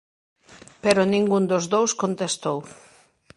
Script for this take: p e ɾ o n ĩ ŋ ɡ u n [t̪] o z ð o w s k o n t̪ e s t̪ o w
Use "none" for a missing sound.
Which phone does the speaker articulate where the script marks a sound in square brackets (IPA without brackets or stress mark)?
d̪